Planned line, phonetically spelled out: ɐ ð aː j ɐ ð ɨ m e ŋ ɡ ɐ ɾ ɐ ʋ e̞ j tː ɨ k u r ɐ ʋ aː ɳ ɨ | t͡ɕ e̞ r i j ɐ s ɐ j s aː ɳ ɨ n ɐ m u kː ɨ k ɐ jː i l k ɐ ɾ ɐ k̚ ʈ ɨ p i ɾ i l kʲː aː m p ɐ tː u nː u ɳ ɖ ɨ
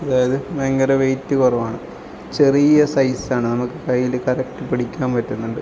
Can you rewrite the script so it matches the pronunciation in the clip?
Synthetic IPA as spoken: ɐ ð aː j ɐ ð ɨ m e ŋ ɡ ɐ ɾ ɐ ʋ e̞ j tː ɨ k u r ɐ ʋ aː ɳ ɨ | t͡ɕ e̞ r i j ɐ s ɐ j s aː ɳ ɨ n ɐ m u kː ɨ k ɐ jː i l k ɐ ɾ ɐ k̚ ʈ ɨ p i ɽ i kʲː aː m p ɐ tː u nː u ɳ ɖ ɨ